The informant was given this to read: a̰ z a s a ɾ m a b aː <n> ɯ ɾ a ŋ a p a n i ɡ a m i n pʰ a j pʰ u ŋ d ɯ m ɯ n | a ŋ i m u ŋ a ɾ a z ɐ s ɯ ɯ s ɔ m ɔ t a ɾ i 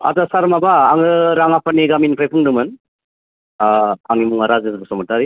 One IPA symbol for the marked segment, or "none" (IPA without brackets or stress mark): ŋ